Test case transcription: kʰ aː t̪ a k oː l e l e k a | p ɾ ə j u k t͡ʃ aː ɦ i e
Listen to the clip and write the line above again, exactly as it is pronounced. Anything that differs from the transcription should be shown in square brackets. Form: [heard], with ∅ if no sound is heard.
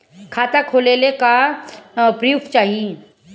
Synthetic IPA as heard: kʰ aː t̪ a [kʰ] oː l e l e k a | p ɾ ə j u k t͡ʃ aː ɦ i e